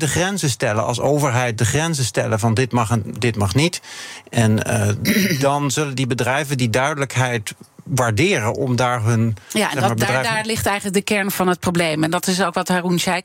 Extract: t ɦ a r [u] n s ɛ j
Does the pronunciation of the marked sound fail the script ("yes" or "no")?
no